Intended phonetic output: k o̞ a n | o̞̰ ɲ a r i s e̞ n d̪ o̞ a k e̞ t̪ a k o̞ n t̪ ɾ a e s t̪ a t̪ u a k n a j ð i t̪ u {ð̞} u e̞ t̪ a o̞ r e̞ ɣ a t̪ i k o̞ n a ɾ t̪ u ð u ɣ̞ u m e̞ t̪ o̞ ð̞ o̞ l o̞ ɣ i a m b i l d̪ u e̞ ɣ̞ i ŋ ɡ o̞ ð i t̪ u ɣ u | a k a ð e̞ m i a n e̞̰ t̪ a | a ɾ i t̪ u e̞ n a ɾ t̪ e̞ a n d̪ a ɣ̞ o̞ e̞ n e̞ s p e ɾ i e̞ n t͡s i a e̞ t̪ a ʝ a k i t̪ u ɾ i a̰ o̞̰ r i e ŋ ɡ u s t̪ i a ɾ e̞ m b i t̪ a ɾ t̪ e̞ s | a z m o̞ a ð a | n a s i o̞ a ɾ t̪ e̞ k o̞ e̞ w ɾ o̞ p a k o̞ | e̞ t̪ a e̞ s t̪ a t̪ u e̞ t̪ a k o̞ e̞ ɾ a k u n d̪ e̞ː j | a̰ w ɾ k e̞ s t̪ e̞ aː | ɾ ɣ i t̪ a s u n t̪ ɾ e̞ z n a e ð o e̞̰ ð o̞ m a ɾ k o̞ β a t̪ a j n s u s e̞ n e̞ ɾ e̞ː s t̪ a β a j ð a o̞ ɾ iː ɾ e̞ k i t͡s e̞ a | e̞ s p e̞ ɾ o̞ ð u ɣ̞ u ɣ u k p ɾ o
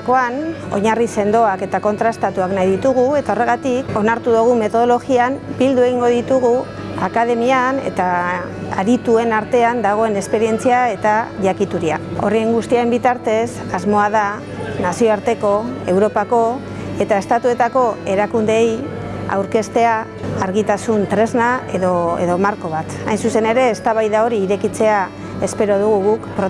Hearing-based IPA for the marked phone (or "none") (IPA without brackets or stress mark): ɣ̞